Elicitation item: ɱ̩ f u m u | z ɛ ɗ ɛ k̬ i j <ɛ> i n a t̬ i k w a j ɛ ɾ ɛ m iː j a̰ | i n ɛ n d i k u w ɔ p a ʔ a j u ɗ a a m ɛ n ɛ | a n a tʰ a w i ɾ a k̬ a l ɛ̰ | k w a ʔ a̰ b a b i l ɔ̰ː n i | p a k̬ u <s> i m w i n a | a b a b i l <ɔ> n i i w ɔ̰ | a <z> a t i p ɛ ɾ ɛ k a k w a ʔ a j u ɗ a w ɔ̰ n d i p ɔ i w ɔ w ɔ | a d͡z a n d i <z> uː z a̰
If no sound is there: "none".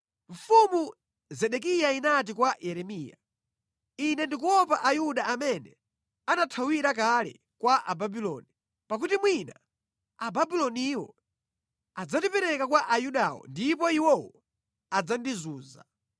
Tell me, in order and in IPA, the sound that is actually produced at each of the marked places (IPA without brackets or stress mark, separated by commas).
a, t, ɔ, d͡z, z